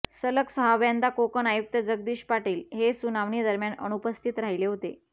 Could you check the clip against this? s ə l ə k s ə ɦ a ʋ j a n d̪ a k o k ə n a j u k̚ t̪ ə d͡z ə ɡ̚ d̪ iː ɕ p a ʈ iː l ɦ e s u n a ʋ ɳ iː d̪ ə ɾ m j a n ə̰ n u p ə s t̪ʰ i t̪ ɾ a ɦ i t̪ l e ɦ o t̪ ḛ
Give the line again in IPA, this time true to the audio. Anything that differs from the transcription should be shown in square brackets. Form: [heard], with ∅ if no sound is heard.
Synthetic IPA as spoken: s ə l ə k s ə ɦ a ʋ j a n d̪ a k o k ə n a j u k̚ t̪ ə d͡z ə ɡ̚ d̪ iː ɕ p a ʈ iː l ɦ e s u n a ʋ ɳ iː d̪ ə ɾ m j a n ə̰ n u p ə s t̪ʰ i t̪ ɾ a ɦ i [∅] l e ɦ o t̪ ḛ